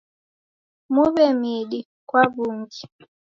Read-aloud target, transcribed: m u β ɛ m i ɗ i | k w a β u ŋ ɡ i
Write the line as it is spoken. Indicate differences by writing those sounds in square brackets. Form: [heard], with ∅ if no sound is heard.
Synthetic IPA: m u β ɛ m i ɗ i | k w a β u ŋ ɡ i